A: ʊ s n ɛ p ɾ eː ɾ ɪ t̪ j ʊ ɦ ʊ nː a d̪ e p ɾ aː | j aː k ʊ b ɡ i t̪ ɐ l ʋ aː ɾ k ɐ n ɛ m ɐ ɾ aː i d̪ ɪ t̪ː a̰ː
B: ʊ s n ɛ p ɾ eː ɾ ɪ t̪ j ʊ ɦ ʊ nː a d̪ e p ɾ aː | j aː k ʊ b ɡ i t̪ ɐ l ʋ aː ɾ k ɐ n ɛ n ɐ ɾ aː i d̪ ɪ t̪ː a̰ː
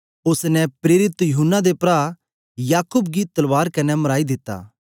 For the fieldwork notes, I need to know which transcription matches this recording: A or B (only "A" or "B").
A